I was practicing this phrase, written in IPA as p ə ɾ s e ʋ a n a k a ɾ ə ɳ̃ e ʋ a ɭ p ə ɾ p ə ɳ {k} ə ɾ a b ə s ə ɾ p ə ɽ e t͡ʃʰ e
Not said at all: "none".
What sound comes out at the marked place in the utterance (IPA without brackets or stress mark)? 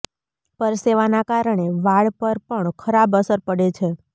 kʰ